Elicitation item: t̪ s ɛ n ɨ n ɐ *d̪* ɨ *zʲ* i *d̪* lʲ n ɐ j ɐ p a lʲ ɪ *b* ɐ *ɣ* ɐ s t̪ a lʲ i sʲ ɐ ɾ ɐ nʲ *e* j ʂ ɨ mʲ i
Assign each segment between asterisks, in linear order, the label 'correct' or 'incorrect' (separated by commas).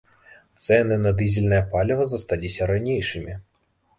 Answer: correct, correct, incorrect, incorrect, incorrect, correct